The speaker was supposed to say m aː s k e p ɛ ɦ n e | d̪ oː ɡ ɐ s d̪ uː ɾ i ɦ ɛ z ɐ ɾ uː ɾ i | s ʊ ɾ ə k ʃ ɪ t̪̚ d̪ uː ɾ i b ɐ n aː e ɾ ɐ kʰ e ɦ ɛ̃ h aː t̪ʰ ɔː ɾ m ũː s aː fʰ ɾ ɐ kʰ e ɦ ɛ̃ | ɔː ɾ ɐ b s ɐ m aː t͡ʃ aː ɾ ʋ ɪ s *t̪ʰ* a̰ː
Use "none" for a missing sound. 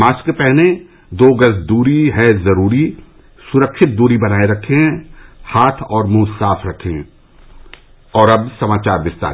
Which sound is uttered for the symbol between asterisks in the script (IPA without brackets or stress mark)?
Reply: t̪